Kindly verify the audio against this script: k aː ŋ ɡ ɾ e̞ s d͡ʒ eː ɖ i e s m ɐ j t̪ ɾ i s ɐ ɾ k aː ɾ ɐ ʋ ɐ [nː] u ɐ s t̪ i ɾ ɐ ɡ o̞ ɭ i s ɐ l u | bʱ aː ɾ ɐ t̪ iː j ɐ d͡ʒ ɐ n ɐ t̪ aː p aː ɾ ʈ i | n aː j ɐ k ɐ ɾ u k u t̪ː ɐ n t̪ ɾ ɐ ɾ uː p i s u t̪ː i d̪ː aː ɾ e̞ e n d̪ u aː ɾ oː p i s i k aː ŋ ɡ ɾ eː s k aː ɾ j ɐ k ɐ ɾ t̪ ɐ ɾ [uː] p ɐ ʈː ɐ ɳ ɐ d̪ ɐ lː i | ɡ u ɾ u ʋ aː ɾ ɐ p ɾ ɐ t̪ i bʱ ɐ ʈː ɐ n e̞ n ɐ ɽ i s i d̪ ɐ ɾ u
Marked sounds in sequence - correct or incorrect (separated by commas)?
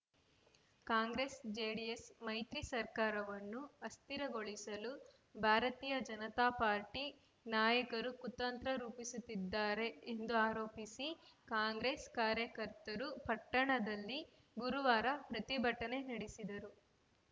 correct, incorrect